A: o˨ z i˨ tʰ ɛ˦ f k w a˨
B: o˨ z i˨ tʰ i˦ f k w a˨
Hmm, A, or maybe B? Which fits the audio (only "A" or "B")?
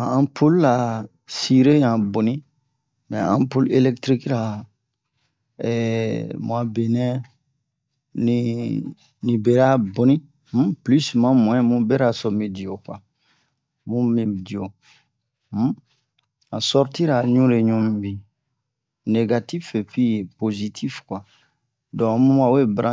B